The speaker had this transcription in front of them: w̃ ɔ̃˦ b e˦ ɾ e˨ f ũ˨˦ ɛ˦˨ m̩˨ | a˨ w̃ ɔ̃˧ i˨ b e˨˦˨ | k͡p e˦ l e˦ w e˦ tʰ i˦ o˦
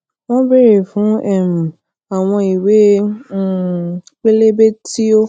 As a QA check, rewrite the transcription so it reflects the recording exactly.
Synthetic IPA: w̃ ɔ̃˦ b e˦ ɾ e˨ f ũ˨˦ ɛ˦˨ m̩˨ | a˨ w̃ ɔ̃˧ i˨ w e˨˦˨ | k͡p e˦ l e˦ b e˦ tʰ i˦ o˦